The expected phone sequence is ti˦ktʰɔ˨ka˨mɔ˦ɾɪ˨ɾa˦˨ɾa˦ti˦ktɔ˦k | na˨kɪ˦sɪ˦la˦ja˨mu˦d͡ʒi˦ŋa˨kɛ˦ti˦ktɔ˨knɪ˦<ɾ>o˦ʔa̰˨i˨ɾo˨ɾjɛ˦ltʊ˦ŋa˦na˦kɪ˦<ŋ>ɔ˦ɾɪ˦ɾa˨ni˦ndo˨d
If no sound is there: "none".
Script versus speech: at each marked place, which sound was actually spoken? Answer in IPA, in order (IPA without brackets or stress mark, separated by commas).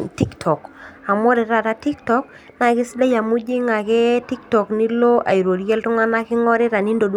l, ŋ